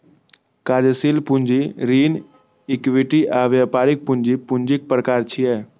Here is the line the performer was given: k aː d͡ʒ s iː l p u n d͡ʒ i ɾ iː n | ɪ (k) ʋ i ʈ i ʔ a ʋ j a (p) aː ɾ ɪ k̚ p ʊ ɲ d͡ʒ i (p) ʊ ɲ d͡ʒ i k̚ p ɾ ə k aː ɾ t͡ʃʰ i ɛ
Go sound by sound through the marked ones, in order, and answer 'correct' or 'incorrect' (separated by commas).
correct, correct, correct